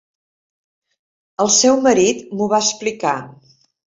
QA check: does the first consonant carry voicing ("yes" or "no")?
yes